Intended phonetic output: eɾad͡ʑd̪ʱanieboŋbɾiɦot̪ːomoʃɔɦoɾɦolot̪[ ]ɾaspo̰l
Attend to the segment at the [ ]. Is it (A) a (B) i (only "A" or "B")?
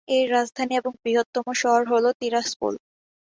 B